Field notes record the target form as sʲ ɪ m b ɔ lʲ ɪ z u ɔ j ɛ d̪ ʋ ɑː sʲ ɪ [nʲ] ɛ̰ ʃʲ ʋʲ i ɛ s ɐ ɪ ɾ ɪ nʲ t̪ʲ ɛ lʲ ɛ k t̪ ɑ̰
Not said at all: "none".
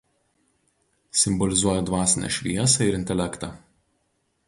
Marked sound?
nʲ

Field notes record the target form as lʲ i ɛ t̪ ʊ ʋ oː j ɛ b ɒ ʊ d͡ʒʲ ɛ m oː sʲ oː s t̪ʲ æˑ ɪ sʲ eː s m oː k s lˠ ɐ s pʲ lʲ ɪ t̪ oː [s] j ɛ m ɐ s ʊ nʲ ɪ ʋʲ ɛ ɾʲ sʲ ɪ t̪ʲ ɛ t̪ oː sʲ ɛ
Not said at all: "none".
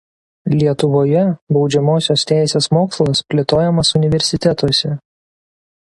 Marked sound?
none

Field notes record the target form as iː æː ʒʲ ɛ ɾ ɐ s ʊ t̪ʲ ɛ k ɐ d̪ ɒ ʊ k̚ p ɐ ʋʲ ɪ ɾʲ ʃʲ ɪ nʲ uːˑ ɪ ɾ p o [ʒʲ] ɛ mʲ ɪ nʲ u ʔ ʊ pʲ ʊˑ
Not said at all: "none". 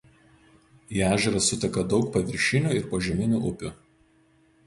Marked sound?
ʒʲ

